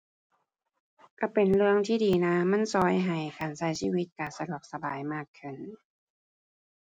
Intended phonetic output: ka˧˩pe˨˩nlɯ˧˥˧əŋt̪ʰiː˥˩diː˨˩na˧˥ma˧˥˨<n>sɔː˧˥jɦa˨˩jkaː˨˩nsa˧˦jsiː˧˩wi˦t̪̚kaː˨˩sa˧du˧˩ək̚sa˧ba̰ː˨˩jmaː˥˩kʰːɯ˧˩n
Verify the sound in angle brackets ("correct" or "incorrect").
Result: correct